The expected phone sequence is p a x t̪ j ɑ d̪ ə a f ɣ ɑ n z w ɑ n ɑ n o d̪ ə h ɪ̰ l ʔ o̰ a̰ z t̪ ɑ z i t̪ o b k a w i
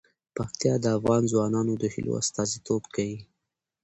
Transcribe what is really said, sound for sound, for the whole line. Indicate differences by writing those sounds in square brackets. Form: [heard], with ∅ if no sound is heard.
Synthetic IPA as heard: p a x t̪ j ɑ d̪ ə a f ɣ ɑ n z w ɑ n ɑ n o d̪ ə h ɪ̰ l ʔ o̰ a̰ [s] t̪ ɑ z i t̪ o b k a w i